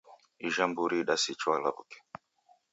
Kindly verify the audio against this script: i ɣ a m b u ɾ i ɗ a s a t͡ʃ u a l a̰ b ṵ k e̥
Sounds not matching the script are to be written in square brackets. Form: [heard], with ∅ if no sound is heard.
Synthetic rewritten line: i [ʒ] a m b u ɾ i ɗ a s [i] t͡ʃ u a l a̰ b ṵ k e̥